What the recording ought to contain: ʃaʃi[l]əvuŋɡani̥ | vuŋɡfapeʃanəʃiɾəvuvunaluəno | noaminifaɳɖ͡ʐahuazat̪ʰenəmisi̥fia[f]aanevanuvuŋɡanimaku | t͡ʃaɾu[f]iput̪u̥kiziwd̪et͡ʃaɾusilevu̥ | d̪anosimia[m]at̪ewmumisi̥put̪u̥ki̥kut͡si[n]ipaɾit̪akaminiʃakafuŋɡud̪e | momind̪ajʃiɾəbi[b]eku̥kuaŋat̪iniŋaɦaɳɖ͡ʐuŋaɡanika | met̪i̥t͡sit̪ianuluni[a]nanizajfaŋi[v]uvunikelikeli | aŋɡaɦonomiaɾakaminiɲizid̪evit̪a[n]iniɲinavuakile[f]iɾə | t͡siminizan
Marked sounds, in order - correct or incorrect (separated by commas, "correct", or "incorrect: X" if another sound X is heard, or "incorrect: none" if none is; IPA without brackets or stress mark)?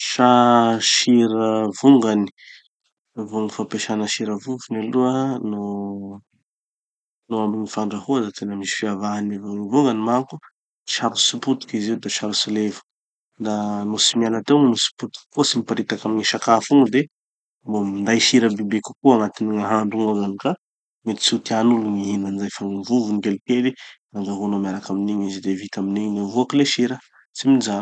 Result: incorrect: ɾ, incorrect: v, incorrect: s, incorrect: n, incorrect: m, correct, incorrect: i, correct, incorrect: m, incorrect: ʃ